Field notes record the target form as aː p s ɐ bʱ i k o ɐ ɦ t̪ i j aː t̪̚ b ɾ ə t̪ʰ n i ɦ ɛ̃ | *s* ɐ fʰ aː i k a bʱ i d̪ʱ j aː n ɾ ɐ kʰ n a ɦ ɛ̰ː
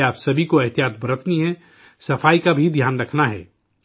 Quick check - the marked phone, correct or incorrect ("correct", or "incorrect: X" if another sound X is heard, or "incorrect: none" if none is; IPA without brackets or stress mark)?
correct